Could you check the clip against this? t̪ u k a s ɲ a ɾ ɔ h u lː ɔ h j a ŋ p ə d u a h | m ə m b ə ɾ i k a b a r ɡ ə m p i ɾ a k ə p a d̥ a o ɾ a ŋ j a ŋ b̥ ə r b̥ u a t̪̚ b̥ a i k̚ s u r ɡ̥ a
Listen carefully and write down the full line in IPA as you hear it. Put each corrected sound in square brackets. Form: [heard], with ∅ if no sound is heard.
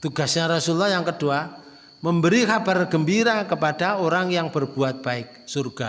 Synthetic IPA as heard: t̪ u [ɡ] a s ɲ a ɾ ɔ [s] u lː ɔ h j a ŋ [k] ə d u a [∅] | m ə m b ə ɾ i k a b a r ɡ ə m [b] i ɾ a k ə p a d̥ a o ɾ a ŋ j a ŋ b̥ ə r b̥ u a t̪̚ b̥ a [ɪ] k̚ s u r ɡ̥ a